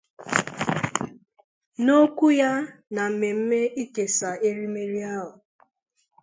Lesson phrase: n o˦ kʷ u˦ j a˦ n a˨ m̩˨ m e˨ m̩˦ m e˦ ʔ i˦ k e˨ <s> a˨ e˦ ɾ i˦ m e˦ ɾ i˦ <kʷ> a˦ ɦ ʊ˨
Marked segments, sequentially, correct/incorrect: correct, incorrect

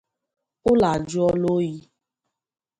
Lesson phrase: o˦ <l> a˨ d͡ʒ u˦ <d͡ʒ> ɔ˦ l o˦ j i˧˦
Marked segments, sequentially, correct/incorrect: correct, incorrect

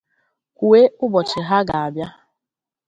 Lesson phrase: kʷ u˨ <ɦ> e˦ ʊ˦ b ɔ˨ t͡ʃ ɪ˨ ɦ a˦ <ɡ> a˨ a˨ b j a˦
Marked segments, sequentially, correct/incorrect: incorrect, correct

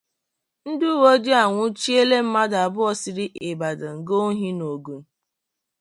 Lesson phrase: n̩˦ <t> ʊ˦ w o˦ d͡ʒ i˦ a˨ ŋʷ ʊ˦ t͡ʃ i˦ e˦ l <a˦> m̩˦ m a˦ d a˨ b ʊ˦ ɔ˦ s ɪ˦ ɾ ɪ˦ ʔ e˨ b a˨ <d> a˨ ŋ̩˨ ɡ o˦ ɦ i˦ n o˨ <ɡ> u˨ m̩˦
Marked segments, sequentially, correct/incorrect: incorrect, incorrect, correct, correct

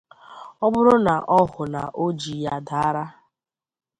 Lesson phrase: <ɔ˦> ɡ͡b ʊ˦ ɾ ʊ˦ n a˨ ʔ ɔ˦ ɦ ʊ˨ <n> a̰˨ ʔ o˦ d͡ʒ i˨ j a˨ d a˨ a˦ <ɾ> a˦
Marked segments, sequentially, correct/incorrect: correct, correct, correct

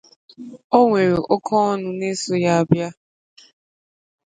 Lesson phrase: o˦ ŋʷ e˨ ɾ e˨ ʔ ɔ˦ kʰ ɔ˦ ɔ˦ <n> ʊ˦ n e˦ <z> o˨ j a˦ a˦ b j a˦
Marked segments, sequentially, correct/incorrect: correct, incorrect

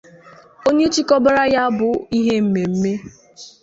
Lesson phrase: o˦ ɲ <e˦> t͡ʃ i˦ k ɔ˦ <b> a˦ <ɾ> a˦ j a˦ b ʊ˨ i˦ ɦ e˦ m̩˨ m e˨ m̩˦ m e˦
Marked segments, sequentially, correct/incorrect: correct, correct, correct

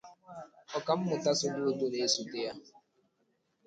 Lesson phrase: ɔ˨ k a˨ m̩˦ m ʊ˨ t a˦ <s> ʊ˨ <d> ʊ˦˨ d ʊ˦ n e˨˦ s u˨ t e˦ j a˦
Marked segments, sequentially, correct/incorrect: correct, correct

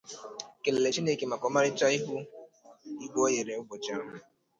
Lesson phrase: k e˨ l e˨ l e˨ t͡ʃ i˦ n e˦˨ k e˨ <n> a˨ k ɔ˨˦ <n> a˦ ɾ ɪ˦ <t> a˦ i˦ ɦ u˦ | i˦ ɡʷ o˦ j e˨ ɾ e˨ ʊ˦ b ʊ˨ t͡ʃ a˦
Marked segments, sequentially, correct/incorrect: incorrect, incorrect, incorrect

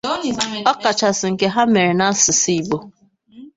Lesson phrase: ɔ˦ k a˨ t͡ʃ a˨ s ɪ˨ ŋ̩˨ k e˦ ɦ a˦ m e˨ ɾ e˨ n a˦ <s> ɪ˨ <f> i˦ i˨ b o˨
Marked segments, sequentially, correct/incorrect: correct, incorrect

